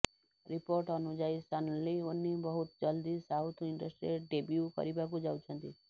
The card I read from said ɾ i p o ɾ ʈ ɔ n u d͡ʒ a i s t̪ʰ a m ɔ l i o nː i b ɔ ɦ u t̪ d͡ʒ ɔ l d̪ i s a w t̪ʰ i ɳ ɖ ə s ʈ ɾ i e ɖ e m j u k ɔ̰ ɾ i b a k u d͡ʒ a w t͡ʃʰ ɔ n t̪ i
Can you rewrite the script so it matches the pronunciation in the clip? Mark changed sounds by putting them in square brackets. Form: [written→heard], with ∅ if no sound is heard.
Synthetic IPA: ɾ i p o ɾ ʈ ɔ n u d͡ʒ a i s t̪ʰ a [m→n] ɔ l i o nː i b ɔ ɦ u t̪ d͡ʒ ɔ l d̪ i s a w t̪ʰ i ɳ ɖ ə s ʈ ɾ i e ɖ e [m→b] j u k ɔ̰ ɾ i b a k u d͡ʒ a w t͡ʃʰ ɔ n t̪ i